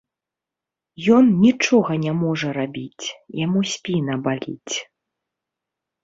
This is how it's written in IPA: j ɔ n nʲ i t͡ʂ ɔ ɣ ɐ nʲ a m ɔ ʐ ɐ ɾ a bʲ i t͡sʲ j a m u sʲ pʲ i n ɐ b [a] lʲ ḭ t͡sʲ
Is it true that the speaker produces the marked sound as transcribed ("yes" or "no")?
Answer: yes